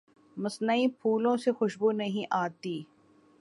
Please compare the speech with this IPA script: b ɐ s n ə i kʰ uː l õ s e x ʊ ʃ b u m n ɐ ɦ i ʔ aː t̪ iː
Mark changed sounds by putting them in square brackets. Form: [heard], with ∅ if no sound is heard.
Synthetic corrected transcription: [m] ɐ s n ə i [pʰ] uː l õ s e x ʊ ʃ b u [∅] n ɐ ɦ [ĩ] ʔ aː t̪ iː